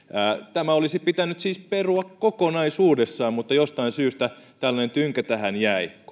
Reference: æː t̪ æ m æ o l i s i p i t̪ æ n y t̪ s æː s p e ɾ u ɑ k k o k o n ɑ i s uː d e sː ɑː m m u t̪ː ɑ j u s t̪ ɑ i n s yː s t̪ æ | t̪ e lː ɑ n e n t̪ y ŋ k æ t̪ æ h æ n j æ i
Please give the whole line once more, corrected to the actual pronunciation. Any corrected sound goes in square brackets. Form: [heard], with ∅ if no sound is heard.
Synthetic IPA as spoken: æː t̪ æ m æ o l i s i p i t̪ æ n y t̪ s [iː] s p e [r] u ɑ k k o k o n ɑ i s uː d e sː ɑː m m u t̪ː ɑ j [o] s t̪ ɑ i n s yː s t̪ æ | t̪ [æ] lː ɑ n e n t̪ y ŋ k æ t̪ æ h æ n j æ i